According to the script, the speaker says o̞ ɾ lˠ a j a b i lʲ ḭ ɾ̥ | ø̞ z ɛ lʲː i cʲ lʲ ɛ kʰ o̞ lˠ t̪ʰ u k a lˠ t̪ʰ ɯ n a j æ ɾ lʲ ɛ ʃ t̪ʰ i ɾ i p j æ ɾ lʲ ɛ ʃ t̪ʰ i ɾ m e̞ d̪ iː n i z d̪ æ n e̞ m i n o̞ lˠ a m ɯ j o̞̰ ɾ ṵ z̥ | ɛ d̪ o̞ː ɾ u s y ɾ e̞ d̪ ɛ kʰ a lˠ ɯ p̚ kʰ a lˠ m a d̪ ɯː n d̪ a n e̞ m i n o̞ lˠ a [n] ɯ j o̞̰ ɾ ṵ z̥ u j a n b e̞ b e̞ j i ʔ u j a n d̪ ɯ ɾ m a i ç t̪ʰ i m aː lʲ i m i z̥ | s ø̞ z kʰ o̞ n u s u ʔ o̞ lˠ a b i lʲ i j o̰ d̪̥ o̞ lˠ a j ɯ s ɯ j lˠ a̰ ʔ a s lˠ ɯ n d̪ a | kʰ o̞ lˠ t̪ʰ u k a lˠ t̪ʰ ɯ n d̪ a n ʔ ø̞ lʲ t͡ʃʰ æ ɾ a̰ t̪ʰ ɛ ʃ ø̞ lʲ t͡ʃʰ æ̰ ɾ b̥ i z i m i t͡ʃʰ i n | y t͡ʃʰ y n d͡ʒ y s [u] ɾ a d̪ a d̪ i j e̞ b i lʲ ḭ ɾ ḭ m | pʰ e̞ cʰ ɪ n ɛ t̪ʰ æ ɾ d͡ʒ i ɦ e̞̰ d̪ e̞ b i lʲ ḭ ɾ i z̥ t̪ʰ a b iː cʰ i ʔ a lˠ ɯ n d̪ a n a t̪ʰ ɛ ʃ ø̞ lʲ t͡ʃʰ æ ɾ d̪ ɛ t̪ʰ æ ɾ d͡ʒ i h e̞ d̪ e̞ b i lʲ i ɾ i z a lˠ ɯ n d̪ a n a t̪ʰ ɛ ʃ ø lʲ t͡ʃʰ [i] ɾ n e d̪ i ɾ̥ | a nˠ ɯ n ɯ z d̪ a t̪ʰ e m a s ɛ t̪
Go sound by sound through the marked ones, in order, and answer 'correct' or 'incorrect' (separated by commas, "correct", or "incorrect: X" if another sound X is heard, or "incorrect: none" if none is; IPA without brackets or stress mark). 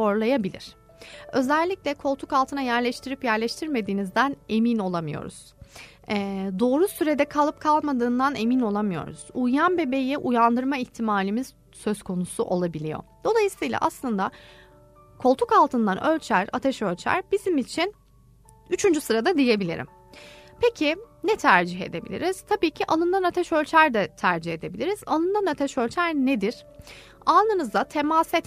incorrect: m, incorrect: ɯ, incorrect: æ